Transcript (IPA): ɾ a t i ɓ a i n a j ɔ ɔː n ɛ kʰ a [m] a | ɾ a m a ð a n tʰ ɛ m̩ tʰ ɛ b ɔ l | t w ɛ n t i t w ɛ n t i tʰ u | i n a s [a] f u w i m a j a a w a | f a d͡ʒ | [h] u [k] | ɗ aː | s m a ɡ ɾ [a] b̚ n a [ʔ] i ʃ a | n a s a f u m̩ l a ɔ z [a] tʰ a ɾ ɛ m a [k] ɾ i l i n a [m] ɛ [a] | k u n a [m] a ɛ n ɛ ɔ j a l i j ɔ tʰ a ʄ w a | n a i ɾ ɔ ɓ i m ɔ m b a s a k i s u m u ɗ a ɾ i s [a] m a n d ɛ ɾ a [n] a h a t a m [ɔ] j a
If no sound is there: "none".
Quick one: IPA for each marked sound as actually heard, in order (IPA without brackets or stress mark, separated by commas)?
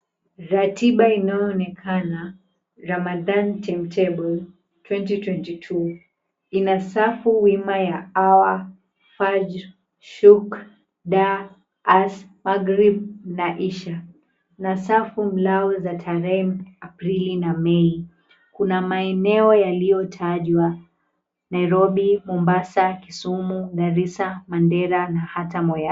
n, a, ʃ, k, i, ʔ, a, p, m, i, m, a, n, ɔ